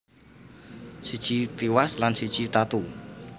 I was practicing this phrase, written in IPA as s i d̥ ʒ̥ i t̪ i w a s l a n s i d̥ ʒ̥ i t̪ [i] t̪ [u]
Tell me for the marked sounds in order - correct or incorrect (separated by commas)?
incorrect, correct